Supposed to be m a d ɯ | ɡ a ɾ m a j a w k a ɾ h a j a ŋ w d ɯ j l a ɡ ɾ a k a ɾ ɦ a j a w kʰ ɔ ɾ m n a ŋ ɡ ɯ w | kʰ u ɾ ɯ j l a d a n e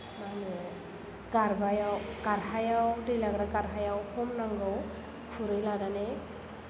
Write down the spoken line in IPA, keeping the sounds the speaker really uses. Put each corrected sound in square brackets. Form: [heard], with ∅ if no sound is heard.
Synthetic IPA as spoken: m a [n] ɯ | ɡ a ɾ [b] a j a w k a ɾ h a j a [∅] w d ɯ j l a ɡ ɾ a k a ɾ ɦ a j a w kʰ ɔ [∅] m n a ŋ ɡ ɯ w | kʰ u ɾ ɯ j l a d a n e